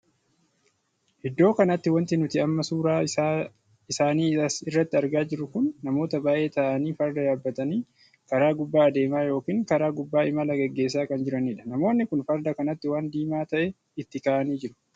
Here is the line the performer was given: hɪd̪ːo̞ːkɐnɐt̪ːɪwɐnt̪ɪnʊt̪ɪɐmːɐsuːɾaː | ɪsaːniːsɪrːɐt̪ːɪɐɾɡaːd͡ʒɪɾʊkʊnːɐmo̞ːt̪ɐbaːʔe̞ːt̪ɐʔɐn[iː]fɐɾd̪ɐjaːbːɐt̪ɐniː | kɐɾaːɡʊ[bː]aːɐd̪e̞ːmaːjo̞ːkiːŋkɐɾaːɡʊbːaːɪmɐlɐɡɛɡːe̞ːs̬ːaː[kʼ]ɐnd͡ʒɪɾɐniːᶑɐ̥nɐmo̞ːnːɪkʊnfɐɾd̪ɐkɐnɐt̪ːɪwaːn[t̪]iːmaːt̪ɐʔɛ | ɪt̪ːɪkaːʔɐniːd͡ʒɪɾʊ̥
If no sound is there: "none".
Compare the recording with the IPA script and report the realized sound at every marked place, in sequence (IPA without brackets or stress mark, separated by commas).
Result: iː, bː, k, d̪